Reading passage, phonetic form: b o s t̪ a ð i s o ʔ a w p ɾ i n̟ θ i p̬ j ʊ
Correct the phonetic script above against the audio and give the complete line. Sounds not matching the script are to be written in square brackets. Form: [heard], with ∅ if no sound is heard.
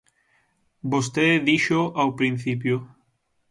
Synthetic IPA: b o s t̪ [e] ð i [ʃ] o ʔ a w p ɾ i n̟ θ i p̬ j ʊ